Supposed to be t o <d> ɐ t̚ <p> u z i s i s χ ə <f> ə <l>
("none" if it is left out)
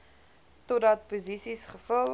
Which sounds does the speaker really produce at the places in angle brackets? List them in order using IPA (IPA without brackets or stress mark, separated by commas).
d, p, f, l